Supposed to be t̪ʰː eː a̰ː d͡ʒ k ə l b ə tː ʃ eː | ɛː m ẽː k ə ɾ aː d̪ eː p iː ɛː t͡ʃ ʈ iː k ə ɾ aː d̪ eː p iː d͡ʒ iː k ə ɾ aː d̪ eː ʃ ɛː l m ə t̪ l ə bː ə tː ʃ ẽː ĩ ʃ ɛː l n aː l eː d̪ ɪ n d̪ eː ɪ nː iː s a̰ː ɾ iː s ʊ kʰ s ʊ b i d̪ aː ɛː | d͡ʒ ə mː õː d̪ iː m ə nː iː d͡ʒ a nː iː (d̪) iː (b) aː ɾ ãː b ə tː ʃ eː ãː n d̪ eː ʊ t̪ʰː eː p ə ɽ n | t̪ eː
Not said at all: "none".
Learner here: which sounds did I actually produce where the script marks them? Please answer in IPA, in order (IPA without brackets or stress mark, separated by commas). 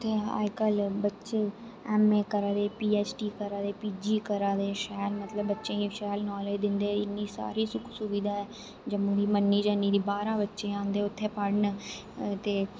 d̪, b